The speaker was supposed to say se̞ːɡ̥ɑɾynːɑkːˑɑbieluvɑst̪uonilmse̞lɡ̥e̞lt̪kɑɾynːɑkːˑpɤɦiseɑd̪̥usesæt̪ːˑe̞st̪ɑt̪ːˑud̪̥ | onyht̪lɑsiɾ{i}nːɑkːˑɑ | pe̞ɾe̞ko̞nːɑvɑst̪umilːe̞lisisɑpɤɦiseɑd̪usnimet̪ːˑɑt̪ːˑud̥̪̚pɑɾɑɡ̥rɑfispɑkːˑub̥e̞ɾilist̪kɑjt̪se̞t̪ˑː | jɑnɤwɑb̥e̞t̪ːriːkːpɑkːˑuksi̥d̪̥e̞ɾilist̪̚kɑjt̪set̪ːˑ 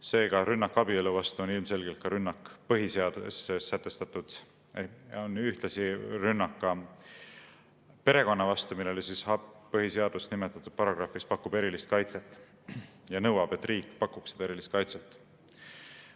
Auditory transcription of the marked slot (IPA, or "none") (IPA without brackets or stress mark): y